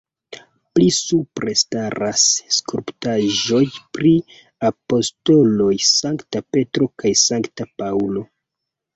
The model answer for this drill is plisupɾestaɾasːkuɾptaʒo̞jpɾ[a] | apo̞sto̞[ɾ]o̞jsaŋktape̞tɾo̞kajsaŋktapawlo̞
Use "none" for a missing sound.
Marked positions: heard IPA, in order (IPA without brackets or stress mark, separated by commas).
i, l